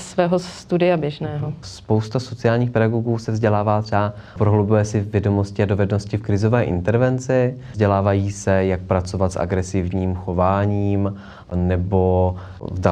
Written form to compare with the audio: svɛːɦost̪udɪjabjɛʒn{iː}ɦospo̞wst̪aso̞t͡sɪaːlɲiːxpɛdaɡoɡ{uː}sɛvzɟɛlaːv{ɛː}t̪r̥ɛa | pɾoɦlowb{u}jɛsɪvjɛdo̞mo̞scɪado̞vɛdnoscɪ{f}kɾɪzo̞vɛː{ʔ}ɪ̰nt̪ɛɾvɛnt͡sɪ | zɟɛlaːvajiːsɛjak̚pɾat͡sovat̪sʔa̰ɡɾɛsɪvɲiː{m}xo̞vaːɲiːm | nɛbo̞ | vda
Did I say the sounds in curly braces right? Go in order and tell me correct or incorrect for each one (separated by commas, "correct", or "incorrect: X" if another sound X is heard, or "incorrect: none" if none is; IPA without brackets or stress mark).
incorrect: ɛː, correct, incorrect: aː, correct, correct, correct, correct